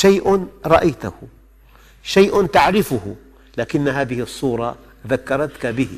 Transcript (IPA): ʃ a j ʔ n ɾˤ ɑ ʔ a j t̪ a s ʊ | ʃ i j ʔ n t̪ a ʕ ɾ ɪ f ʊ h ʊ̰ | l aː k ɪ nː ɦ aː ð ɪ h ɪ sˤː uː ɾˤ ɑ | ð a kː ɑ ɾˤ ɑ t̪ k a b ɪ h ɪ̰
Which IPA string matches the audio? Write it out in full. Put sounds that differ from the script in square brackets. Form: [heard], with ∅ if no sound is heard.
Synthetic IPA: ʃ a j ʔ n ɾˤ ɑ ʔ a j t̪ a [h] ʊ | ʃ [a] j ʔ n t̪ a ʕ ɾ ɪ f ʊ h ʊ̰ | l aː k ɪ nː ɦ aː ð ɪ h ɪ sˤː uː ɾˤ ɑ | ð a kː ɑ ɾˤ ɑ t̪ k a b ɪ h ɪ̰